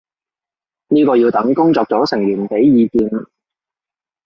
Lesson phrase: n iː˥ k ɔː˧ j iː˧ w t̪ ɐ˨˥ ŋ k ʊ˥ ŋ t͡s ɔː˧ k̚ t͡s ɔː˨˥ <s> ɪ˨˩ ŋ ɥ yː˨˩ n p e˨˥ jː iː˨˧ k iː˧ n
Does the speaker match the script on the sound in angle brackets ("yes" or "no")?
yes